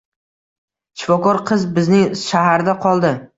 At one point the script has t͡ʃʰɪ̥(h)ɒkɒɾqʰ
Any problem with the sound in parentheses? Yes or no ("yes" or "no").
yes